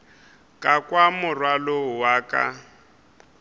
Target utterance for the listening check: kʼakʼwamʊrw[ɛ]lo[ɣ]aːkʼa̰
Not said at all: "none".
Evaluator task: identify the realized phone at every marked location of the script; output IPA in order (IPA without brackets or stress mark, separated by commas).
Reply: a, w